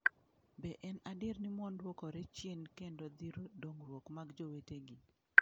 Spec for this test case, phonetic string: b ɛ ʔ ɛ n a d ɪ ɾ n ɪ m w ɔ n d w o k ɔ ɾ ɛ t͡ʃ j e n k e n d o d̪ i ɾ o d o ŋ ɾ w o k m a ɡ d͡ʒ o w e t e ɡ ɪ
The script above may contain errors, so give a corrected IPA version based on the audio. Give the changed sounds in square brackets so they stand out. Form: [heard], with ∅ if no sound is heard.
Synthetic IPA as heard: b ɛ ʔ ɛ n a d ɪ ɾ n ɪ m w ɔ n d w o k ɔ ɾ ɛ t͡ʃ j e n k e n d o d̪ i ɾ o d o ŋ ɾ w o k m a ɡ d͡ʒ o w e t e ɡ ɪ